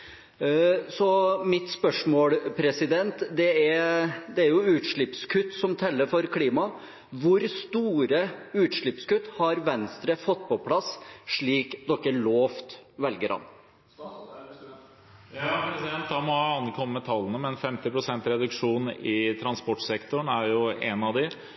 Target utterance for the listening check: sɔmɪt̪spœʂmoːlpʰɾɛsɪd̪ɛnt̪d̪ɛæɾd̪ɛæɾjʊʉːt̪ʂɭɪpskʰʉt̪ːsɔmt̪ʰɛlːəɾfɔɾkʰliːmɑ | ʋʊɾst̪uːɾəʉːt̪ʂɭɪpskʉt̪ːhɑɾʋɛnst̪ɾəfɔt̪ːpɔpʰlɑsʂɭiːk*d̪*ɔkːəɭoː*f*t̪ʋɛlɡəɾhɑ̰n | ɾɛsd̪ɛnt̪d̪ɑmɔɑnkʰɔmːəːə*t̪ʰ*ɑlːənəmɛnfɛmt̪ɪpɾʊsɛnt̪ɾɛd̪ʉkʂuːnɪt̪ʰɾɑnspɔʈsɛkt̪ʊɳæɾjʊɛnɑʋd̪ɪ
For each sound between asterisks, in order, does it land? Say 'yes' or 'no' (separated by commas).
yes, yes, yes